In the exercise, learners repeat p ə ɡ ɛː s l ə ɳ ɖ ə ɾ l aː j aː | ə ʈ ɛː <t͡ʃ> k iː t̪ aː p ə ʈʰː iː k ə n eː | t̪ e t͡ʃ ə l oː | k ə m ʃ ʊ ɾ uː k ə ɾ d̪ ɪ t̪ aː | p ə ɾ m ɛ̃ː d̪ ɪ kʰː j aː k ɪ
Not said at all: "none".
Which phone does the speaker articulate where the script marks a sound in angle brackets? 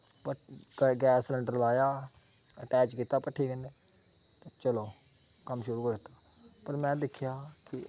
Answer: t͡ʃ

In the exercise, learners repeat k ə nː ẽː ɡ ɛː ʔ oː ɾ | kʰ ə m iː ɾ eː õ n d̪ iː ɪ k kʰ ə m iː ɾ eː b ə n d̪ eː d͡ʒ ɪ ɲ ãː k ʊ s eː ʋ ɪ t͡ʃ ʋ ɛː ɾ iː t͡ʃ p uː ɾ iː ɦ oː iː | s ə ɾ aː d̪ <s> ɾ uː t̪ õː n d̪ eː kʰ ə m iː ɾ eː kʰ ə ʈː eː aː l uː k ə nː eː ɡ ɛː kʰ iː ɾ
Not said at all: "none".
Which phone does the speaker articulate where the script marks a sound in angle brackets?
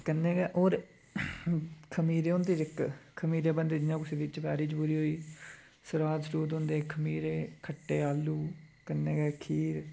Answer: s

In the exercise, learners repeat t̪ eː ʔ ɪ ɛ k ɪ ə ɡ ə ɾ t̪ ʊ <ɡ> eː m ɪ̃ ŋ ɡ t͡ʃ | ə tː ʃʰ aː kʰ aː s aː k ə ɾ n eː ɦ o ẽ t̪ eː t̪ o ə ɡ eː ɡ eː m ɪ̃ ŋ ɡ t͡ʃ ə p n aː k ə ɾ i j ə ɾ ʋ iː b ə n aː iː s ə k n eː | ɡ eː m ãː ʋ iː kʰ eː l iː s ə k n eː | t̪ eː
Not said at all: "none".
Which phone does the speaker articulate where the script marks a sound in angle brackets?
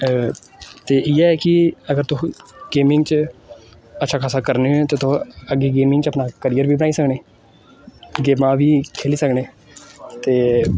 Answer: ɡ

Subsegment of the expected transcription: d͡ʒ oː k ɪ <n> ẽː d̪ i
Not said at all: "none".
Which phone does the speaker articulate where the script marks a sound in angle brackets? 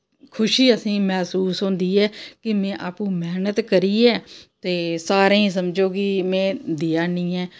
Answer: m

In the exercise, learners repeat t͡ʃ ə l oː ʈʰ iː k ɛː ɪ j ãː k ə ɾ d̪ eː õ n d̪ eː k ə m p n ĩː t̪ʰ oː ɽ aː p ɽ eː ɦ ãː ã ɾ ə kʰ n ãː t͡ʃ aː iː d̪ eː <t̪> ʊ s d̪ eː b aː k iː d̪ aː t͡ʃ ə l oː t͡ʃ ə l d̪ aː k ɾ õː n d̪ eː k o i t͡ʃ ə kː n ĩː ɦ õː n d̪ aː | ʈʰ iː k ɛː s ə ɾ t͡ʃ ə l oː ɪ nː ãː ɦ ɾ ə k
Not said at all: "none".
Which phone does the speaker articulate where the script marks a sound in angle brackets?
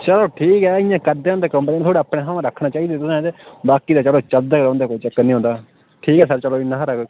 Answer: t̪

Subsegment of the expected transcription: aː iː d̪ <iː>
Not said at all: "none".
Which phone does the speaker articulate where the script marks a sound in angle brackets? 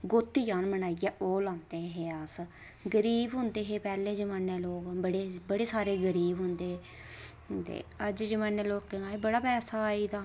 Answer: aː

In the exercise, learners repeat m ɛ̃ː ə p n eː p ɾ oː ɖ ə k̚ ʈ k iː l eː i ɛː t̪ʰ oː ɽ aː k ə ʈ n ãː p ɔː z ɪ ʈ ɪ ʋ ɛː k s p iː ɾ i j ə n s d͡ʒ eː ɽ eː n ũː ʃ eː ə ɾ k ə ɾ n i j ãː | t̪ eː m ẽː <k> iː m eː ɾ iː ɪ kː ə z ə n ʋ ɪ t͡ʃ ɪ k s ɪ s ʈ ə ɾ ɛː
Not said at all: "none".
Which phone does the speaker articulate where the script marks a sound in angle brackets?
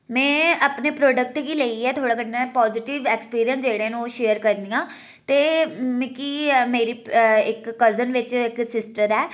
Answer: k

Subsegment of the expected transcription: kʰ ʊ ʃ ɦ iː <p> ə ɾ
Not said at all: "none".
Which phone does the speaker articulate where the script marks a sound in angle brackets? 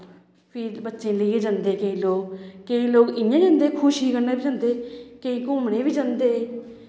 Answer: k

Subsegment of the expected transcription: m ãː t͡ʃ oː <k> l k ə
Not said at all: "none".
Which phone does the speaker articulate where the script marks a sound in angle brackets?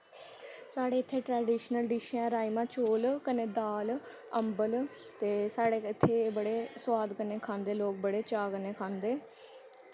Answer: none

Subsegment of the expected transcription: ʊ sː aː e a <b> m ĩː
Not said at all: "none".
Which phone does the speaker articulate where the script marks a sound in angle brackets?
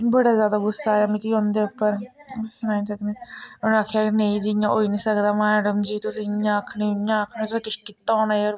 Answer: none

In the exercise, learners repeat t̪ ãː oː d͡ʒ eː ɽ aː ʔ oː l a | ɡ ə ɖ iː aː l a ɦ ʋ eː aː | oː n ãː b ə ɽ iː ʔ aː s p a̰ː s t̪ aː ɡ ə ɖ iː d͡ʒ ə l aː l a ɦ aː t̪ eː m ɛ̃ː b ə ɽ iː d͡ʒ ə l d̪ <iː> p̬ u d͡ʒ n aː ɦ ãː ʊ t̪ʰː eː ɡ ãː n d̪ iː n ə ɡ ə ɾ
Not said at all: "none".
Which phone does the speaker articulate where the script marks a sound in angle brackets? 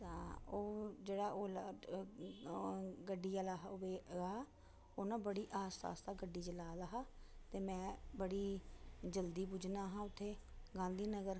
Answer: iː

